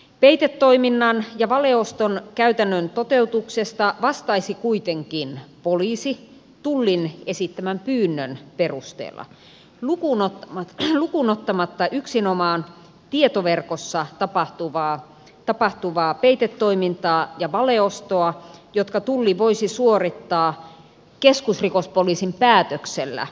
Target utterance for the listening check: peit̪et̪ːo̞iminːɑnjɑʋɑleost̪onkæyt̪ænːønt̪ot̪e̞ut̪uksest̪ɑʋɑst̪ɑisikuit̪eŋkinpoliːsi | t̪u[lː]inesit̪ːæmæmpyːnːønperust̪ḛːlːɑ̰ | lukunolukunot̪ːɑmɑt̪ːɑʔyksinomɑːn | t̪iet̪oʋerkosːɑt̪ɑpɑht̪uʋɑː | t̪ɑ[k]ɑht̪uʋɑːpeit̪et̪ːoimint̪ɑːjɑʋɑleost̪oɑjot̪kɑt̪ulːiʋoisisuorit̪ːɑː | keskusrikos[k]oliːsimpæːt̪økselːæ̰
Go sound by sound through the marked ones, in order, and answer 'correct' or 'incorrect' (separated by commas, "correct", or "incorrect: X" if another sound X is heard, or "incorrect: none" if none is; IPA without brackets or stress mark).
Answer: correct, incorrect: p, incorrect: p